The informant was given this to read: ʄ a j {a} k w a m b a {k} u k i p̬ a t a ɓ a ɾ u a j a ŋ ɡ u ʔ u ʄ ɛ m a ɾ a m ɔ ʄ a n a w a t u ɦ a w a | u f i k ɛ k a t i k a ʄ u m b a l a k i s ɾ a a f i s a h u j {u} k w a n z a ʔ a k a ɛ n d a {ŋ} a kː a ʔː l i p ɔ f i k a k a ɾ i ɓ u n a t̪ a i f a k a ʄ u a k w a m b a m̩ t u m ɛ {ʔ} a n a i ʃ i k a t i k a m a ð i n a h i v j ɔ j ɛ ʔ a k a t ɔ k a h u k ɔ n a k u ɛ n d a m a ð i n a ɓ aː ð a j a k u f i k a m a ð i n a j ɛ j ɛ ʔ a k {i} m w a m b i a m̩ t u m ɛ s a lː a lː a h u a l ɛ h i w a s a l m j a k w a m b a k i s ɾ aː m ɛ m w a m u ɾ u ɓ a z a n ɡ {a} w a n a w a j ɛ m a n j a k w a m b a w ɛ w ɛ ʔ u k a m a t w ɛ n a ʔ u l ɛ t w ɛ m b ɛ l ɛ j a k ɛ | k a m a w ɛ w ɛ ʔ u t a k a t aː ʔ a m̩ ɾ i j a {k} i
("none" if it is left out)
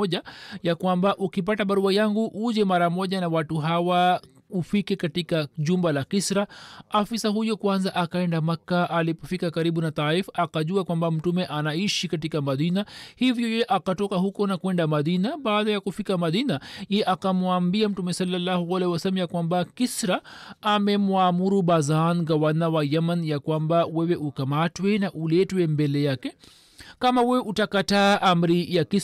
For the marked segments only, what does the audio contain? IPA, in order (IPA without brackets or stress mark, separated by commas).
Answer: a, ʔ, ɔ, m, ʔ, a, a, k